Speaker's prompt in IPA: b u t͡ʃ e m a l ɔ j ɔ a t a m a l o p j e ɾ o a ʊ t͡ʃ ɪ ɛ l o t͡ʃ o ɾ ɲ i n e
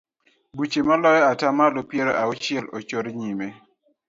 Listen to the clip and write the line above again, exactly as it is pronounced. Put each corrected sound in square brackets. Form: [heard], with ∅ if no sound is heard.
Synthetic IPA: b u t͡ʃ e m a l ɔ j ɔ a t a m a l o p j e ɾ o a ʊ t͡ʃ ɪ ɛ l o t͡ʃ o ɾ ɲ i [m] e